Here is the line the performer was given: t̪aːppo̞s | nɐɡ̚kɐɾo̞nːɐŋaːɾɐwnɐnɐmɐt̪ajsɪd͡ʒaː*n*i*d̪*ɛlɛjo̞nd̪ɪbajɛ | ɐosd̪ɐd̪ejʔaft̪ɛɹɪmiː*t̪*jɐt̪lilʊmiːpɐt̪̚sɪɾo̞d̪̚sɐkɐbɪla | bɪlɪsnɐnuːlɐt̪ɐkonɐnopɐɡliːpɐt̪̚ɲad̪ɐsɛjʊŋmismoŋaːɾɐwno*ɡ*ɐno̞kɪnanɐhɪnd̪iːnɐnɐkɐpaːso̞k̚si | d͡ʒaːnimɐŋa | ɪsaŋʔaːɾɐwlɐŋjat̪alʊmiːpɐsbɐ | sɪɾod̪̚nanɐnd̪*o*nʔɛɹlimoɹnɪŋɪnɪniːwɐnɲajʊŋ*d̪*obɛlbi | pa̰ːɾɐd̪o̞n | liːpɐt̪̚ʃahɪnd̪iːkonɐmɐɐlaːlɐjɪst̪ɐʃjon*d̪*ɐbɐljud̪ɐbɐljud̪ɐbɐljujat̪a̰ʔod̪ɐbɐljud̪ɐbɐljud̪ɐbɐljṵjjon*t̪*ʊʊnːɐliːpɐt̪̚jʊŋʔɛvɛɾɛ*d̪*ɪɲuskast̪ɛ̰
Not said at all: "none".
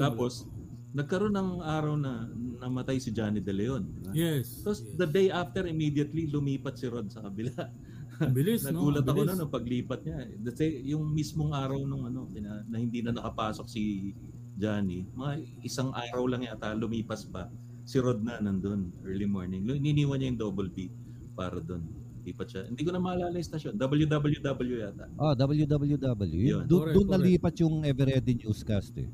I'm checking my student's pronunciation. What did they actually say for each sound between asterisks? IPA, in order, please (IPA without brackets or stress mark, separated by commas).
n, d̪, d̪, ŋ, o, d̪, d̪, d̪, d̪